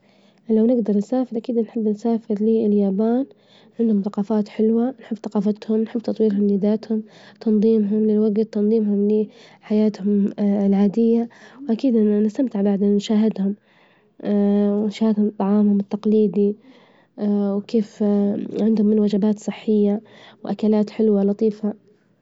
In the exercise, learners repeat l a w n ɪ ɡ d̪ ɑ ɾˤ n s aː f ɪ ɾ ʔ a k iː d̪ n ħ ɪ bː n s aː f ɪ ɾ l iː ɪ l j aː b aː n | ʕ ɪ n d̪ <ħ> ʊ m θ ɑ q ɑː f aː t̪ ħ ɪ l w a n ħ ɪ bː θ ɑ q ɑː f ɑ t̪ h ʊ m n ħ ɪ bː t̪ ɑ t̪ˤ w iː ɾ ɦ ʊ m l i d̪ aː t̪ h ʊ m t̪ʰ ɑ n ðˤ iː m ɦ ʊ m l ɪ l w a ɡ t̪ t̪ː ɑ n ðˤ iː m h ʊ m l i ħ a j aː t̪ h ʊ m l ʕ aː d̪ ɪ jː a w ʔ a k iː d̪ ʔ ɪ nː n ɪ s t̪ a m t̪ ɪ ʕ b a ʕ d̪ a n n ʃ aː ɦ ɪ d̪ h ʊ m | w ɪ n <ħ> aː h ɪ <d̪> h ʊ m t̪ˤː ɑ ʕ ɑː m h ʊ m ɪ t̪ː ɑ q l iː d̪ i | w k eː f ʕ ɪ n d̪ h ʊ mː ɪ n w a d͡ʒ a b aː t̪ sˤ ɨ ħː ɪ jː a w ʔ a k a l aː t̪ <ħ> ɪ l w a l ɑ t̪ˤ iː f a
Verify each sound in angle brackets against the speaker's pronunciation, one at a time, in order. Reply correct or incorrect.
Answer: incorrect: h, incorrect: ʃ, correct, correct

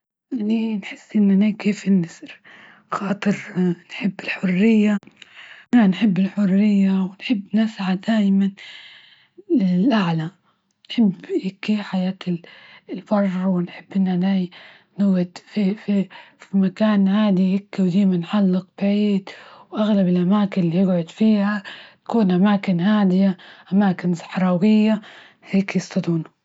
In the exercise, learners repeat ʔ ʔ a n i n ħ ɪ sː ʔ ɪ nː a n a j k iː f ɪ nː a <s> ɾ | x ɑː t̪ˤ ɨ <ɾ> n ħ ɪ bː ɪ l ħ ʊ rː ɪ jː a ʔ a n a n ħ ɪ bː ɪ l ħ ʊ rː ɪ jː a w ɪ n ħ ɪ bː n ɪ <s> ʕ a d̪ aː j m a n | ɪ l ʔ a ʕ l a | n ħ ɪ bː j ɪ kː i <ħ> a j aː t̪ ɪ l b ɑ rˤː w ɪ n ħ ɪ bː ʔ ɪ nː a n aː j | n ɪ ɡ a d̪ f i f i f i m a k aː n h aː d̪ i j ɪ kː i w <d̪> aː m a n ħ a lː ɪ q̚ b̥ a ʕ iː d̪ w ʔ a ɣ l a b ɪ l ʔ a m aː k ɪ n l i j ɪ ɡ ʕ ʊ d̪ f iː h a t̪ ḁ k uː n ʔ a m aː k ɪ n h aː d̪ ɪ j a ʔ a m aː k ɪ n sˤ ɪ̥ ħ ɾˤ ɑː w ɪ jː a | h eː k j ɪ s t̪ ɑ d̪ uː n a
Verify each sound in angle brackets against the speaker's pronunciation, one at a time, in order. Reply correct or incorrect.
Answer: correct, correct, correct, correct, correct

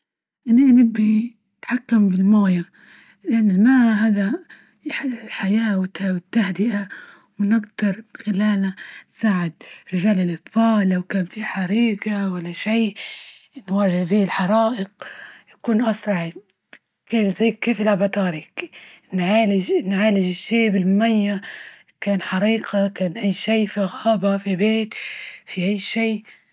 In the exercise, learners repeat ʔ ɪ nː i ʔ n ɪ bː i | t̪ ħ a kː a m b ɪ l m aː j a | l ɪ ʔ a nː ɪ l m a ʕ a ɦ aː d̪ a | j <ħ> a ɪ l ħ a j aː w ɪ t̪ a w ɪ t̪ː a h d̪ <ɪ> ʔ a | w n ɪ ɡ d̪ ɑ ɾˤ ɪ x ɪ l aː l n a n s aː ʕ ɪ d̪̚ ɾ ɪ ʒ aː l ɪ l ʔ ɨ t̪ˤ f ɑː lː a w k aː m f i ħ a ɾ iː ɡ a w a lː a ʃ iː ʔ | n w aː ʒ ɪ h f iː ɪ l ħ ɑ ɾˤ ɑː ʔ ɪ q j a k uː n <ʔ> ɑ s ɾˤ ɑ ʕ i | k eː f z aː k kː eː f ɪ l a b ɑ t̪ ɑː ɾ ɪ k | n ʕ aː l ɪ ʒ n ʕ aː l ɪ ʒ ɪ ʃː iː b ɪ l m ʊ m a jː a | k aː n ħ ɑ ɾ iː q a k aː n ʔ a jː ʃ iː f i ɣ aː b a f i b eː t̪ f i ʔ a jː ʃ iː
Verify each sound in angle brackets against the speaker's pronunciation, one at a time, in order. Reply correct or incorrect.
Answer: correct, correct, correct

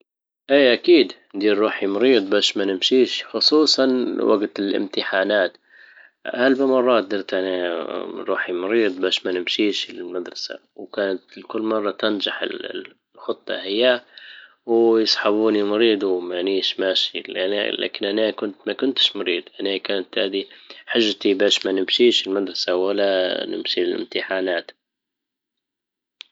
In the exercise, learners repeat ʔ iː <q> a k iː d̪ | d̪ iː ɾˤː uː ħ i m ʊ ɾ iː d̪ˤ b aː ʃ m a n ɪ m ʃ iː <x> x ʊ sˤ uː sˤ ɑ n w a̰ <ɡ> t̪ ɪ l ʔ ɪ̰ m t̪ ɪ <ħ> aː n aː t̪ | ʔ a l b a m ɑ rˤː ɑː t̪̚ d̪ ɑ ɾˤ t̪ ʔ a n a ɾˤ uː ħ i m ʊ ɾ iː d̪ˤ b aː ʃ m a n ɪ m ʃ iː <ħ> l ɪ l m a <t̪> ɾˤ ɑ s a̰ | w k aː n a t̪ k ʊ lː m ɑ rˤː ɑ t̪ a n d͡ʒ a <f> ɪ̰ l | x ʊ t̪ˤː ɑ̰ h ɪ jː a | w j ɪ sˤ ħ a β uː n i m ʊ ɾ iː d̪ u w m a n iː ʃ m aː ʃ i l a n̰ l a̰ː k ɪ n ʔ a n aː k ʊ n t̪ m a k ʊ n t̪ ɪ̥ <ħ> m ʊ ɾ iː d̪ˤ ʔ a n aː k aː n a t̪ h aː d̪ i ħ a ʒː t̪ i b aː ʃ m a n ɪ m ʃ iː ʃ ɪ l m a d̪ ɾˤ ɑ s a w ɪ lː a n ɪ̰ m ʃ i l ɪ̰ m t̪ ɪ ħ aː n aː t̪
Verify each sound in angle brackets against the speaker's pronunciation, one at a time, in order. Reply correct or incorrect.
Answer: incorrect: ʔ, incorrect: ʃ, correct, correct, incorrect: ʃ, incorrect: d̪, incorrect: ħ, incorrect: ʃ

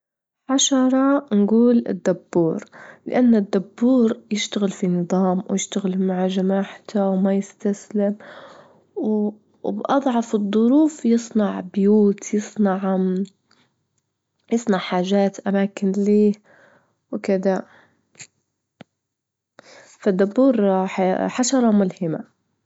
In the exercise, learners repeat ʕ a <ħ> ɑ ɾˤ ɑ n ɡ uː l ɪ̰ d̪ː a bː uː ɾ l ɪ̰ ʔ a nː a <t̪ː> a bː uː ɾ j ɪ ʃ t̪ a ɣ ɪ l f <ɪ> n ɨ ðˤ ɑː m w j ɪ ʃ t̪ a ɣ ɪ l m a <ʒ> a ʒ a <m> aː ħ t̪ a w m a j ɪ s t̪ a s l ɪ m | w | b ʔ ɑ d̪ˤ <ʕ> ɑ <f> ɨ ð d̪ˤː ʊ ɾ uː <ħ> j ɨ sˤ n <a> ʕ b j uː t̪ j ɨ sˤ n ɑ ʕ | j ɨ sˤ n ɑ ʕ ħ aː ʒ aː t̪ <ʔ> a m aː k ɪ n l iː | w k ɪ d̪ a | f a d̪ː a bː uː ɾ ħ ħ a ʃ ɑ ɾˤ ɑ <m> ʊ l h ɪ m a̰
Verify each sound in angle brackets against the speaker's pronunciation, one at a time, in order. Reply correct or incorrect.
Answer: incorrect: ʃ, incorrect: d̪ː, incorrect: i, incorrect: ʕ, correct, correct, correct, incorrect: f, incorrect: ɑ, correct, correct

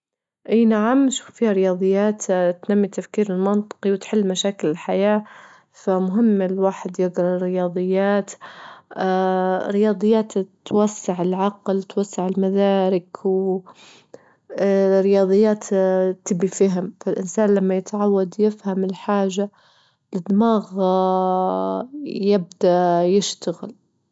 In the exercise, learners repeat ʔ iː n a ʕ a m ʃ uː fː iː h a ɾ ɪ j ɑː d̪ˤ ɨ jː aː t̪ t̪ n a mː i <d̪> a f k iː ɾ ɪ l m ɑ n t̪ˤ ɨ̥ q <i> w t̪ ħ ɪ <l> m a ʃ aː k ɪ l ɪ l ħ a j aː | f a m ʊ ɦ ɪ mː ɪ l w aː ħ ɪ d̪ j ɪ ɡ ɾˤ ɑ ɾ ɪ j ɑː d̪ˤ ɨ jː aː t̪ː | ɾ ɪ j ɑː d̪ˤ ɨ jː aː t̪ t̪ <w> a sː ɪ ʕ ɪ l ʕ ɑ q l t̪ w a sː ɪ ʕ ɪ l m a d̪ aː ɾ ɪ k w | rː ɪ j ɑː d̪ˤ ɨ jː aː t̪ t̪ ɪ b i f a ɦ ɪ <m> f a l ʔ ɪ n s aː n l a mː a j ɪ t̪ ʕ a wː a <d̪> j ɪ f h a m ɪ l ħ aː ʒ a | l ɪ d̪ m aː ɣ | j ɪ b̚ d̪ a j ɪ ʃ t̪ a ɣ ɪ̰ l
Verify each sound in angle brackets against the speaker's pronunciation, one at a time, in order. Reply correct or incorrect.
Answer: incorrect: t̪, correct, incorrect: lː, correct, correct, correct

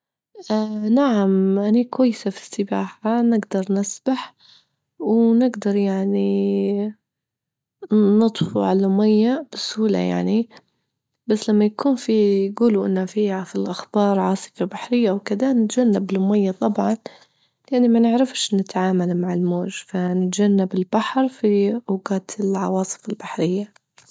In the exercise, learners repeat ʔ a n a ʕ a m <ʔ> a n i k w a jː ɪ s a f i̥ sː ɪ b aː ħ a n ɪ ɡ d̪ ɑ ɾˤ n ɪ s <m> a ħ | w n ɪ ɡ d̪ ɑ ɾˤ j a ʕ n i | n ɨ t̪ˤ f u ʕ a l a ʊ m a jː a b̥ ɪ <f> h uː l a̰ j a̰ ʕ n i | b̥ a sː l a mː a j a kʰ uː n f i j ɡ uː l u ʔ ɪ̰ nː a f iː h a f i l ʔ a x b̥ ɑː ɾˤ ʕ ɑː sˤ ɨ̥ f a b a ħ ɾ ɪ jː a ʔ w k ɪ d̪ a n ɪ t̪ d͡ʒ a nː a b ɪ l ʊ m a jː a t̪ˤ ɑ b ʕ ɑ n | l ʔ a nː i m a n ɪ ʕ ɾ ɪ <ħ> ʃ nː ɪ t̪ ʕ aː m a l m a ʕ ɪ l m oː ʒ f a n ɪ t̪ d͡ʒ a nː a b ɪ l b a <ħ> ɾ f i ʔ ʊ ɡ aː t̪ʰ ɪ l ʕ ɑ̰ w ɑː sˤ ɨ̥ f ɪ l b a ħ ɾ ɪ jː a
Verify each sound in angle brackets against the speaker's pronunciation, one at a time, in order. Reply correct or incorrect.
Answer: correct, incorrect: b, incorrect: s, incorrect: f, correct

